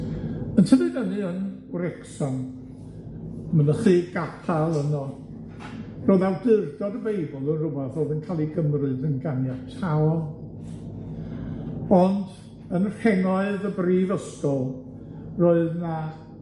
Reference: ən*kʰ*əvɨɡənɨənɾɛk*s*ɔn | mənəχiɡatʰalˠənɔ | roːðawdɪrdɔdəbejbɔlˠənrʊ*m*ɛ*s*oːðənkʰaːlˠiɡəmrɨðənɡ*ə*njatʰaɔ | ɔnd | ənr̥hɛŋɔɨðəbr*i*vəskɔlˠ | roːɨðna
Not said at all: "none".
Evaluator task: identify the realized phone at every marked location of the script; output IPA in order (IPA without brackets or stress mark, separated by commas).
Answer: tʰ, s, b, θ, a, iː